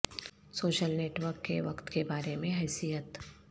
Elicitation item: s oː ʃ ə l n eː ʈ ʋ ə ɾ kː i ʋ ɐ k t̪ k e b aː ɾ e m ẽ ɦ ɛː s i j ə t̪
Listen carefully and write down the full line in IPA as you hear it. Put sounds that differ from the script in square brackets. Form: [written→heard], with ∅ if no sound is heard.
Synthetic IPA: s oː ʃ ə l n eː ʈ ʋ ə ɾ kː [i→e] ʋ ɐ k t̪ k e b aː ɾ e m ẽ ɦ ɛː s i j ə t̪